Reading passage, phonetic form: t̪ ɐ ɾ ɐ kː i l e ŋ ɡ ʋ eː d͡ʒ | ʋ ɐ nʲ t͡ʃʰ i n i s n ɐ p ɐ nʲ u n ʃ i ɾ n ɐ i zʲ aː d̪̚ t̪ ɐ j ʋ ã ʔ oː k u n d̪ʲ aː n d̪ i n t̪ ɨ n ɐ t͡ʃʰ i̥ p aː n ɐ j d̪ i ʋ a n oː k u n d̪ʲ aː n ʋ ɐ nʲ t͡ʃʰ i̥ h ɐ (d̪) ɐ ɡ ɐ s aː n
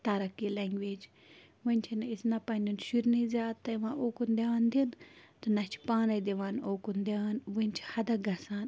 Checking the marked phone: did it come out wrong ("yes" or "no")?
no